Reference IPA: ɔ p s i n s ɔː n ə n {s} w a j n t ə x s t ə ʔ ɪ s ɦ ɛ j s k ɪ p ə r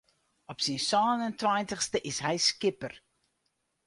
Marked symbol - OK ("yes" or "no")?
no